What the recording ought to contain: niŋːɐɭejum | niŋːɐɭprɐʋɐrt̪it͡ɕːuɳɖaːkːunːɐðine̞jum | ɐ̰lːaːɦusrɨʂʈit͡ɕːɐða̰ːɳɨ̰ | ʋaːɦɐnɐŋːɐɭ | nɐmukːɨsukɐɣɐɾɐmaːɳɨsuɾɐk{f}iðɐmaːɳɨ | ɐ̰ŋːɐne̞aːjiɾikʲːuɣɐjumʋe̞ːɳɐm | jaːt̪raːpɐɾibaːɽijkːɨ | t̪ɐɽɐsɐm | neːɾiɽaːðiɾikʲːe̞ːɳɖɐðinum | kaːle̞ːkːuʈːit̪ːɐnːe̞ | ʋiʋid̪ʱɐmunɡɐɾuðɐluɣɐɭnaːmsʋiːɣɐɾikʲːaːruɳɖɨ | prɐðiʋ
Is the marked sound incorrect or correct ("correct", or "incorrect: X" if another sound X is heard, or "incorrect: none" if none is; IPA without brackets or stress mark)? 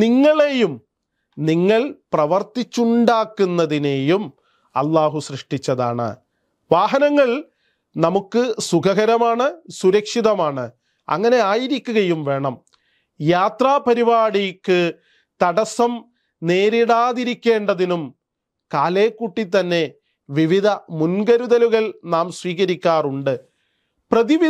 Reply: incorrect: ʂ